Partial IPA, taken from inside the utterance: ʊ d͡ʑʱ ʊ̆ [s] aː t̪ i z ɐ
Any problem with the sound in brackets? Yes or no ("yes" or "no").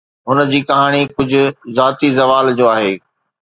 yes